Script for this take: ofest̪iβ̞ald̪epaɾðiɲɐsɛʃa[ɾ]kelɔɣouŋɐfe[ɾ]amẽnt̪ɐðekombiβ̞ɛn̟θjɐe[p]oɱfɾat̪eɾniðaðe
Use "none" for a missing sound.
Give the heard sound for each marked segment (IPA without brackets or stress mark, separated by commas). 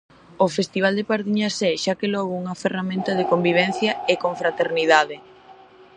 none, r, k